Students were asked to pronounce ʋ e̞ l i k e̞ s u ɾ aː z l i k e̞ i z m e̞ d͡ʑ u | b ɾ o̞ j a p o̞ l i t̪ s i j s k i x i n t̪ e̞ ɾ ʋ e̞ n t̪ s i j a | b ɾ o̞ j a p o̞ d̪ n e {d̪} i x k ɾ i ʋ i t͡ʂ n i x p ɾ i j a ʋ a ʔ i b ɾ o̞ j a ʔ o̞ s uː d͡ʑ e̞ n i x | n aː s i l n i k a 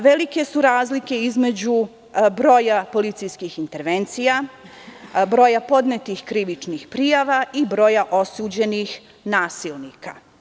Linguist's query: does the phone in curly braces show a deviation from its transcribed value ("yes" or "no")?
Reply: yes